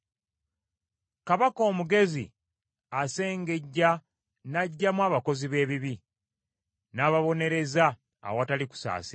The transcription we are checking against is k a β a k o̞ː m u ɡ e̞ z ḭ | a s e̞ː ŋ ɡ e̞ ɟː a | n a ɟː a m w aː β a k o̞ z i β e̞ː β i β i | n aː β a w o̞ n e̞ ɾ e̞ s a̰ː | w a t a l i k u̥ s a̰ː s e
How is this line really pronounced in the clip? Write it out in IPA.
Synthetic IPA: k a β a k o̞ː m u ɡ e̞ z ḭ | a s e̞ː ŋ ɡ e̞ ɟː a | n a ɟː a m w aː β a k o̞ z i β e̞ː β i β i | n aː β a β o̞ n e̞ ɾ e̞ z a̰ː | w a t a l i k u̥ s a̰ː s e